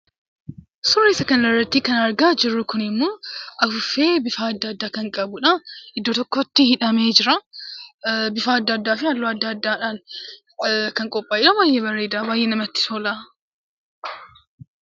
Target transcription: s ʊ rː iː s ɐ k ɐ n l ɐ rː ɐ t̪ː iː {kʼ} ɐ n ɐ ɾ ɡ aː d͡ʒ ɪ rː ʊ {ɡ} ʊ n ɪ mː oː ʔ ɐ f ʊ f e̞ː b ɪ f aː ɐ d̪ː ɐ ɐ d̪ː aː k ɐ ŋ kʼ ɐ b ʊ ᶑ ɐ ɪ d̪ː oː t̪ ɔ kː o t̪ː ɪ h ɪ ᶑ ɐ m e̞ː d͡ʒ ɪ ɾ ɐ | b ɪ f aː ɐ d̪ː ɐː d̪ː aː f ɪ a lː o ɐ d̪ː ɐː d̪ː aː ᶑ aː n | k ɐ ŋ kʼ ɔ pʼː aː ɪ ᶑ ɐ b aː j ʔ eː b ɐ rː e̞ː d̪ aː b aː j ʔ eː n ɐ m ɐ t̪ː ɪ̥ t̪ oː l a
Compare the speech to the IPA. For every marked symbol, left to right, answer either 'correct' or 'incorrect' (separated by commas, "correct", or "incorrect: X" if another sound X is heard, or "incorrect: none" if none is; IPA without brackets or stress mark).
incorrect: k, incorrect: k